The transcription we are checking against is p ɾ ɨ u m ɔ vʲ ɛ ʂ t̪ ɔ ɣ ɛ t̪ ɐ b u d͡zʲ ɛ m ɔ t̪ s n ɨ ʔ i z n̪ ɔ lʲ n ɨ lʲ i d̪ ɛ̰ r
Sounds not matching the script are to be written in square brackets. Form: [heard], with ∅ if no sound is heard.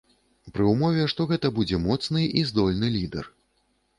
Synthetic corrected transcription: p ɾ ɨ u m ɔ vʲ ɛ ʂ t̪ ɔ ɣ ɛ t̪ ɐ b u d͡zʲ ɛ m ɔ t̪ s n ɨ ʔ i z [d̪] ɔ lʲ n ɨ lʲ i d̪ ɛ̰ r